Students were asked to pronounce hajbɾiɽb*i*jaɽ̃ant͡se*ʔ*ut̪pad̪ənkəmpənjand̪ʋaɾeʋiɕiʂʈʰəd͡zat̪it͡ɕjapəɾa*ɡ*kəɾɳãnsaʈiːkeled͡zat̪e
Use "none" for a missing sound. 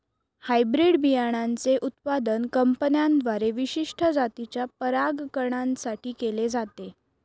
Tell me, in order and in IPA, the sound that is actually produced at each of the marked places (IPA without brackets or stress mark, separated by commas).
i, ʔ, ɡ